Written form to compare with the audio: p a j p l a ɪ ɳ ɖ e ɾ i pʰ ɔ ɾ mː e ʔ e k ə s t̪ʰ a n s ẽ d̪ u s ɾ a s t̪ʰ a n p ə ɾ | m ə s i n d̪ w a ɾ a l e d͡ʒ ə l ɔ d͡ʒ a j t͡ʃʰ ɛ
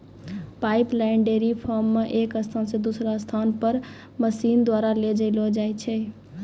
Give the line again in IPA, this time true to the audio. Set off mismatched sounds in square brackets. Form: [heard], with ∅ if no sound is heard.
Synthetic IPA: p a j p l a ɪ ɳ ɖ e ɾ i pʰ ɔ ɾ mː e ʔ e k ə s t̪ʰ a n s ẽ d̪ u s ɾ a s t̪ʰ a n p ə ɾ | m ə s i n d̪ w a ɾ a l e d͡ʒ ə l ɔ d͡ʒ a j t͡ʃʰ ɛ